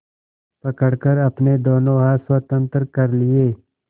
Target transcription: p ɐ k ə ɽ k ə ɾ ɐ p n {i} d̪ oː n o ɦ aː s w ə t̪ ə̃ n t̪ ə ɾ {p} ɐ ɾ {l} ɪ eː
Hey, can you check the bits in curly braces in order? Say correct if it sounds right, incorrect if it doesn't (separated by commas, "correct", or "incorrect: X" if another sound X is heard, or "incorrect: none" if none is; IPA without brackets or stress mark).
incorrect: e, incorrect: k, correct